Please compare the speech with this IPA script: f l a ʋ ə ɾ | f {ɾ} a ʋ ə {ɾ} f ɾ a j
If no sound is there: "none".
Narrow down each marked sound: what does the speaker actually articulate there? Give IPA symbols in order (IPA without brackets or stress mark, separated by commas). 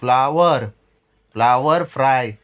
l, ɾ